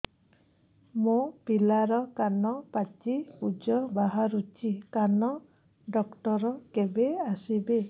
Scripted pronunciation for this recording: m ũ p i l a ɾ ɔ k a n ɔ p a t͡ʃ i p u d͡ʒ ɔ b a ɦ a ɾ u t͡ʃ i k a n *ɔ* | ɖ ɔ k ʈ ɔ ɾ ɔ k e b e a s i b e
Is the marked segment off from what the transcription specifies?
no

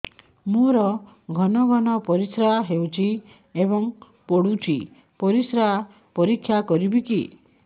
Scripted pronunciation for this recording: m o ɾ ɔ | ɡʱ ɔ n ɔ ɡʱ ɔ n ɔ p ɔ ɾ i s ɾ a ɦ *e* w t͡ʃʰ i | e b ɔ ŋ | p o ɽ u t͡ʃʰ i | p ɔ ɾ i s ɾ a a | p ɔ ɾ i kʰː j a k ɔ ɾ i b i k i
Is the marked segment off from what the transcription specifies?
no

